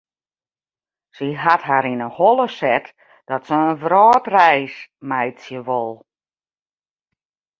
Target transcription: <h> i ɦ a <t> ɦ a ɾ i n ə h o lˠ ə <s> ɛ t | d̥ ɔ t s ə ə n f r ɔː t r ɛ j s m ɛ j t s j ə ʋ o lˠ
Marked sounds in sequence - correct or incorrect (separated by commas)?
incorrect, correct, correct